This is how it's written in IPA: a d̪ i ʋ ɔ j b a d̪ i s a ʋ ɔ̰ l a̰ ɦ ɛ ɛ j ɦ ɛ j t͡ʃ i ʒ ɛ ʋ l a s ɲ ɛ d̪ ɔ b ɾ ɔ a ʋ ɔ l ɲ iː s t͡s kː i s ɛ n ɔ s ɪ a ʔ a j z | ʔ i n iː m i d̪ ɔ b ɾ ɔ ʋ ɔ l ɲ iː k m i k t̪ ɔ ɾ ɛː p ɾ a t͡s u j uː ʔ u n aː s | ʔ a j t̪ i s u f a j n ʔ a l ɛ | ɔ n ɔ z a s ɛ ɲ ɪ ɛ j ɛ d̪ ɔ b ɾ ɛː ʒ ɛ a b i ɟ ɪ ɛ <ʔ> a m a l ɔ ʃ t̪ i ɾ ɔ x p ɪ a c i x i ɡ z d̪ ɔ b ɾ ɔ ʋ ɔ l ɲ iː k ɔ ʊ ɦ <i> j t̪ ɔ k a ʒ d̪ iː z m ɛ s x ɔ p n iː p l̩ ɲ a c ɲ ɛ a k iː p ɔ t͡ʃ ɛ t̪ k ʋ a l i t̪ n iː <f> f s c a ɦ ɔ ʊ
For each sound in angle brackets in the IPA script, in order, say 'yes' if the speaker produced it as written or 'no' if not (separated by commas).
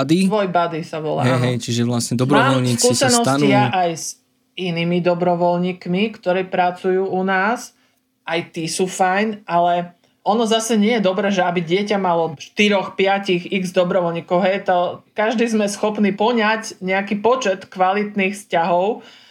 no, no, no